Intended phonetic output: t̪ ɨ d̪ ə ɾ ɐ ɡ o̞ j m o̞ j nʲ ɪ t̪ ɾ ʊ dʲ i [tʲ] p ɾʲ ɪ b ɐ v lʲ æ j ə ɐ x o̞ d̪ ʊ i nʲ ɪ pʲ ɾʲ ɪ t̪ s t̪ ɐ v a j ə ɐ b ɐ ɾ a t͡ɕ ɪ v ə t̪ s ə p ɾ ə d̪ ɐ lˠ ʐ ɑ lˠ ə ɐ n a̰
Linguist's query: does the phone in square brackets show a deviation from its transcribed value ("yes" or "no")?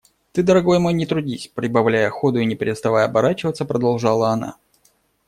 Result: yes